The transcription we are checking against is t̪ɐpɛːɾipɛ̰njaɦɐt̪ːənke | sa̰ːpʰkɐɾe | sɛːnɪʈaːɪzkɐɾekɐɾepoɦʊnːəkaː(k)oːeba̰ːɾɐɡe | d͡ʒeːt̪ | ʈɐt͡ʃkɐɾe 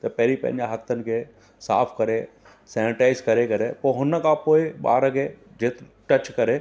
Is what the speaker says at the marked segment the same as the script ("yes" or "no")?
no